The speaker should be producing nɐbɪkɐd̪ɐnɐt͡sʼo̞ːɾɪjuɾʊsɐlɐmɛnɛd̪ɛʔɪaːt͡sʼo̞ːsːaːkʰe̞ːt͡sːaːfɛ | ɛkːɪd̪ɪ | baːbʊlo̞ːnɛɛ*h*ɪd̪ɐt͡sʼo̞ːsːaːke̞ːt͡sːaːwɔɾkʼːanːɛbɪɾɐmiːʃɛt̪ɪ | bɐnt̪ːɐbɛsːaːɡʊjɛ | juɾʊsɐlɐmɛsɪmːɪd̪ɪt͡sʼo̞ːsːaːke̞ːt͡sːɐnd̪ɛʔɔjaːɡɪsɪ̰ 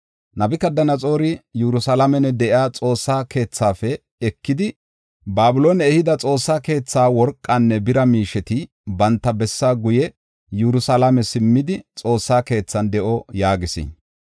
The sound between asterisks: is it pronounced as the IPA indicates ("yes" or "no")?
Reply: yes